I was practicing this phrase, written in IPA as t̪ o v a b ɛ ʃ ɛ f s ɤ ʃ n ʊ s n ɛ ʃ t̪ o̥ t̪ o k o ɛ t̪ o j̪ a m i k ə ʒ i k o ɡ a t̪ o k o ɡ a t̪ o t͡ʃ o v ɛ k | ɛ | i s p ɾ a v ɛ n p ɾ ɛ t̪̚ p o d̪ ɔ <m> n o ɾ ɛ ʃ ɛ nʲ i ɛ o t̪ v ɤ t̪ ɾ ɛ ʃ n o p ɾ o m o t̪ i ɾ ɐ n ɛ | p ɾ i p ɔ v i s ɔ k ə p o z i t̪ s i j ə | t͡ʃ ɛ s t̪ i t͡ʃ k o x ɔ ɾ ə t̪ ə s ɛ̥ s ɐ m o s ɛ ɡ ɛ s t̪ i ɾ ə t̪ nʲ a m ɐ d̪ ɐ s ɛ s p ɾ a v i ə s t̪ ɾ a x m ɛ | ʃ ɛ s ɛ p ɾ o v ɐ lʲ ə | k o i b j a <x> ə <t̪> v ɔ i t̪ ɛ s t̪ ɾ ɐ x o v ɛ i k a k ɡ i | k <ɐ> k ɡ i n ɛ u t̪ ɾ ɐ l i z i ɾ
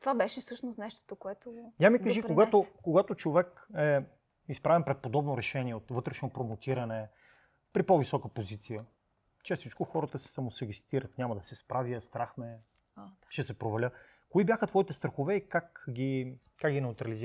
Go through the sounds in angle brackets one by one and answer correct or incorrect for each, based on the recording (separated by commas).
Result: incorrect, correct, correct, incorrect